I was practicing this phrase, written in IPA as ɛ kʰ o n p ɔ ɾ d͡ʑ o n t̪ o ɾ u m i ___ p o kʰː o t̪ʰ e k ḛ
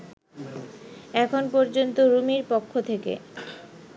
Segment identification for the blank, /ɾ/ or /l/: ɾ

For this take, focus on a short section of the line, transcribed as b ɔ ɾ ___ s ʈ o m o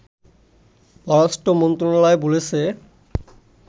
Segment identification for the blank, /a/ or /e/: a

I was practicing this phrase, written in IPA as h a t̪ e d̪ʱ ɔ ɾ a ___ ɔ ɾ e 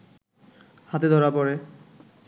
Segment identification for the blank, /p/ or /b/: p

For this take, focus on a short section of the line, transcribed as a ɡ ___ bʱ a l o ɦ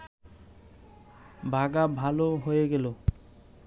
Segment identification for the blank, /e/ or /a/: a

